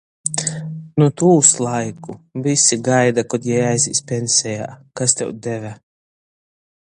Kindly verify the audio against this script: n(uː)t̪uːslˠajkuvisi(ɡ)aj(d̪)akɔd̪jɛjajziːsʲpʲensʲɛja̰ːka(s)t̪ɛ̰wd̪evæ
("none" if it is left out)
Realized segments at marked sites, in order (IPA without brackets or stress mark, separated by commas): u, ɡ, d̪, s